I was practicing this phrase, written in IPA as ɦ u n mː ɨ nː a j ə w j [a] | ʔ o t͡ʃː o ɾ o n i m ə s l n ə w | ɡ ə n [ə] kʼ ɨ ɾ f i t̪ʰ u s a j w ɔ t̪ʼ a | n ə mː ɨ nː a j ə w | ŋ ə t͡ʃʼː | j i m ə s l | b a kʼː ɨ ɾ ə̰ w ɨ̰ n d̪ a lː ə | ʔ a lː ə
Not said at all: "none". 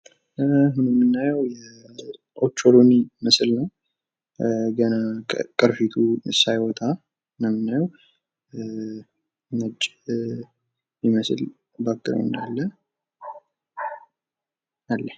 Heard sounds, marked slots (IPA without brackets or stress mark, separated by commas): ɛ, a